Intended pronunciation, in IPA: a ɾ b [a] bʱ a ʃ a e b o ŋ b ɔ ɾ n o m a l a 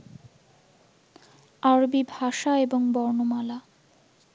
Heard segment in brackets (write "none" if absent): i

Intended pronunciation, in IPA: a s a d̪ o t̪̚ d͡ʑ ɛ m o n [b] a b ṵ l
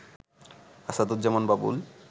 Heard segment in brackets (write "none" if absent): b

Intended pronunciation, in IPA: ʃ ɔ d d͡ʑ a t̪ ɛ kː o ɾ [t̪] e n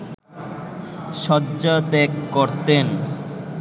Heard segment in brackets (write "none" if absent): t̪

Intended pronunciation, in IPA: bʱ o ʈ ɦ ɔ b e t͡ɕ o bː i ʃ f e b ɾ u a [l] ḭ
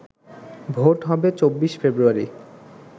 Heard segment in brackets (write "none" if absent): ɾ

